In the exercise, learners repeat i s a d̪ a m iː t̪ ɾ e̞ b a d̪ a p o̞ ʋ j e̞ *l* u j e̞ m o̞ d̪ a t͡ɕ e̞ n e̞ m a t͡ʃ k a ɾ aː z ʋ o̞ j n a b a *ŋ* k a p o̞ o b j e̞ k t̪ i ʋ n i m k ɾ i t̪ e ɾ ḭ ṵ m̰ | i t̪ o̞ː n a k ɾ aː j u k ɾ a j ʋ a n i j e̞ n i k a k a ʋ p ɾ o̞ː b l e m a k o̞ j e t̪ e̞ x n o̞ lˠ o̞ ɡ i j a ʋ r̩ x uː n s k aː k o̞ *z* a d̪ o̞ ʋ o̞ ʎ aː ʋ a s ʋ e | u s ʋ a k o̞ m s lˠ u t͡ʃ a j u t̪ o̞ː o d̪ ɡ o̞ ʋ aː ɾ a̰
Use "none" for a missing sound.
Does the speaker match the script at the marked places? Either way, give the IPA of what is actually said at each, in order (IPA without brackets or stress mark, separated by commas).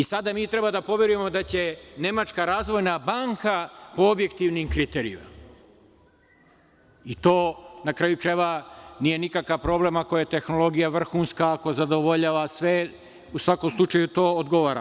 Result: ɾ, ŋ, z